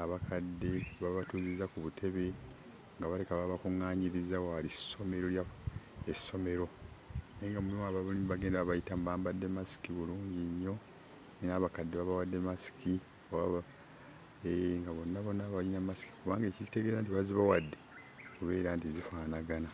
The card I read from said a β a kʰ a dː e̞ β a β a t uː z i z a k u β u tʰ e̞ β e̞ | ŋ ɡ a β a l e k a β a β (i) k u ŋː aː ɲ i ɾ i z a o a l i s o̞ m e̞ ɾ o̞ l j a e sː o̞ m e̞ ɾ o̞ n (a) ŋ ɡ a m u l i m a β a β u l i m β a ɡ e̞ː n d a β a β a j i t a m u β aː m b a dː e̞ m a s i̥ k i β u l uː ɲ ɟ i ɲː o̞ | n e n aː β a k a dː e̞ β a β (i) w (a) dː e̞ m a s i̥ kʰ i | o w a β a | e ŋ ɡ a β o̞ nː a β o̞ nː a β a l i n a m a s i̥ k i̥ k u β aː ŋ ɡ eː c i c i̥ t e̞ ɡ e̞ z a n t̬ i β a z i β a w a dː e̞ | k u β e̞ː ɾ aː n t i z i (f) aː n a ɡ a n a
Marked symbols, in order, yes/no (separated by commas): no, no, no, yes, yes